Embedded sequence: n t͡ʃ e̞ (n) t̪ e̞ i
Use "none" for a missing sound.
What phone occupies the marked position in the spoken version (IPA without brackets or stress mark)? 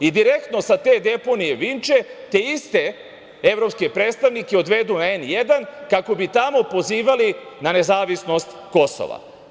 none